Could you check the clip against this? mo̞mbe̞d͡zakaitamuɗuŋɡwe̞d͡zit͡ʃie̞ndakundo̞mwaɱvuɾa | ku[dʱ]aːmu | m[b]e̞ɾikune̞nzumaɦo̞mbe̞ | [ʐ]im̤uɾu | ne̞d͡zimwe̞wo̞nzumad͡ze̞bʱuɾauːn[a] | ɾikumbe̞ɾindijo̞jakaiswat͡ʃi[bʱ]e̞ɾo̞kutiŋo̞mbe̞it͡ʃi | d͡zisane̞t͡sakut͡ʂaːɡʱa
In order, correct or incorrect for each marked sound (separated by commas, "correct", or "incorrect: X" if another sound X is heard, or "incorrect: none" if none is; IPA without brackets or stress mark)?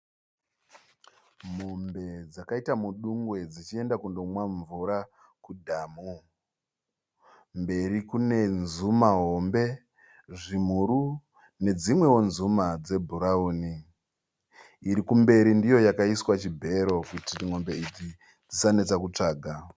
correct, correct, correct, incorrect: i, correct